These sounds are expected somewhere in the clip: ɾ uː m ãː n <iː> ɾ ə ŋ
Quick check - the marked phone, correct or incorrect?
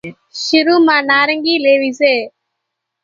incorrect